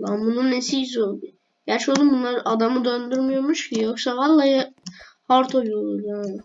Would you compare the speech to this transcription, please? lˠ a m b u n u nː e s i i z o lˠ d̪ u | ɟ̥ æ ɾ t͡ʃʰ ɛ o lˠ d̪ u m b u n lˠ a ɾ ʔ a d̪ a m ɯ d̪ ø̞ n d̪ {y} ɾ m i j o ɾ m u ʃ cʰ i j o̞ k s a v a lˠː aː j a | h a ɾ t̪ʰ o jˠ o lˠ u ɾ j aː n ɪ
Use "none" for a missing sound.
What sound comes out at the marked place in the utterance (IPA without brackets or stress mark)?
y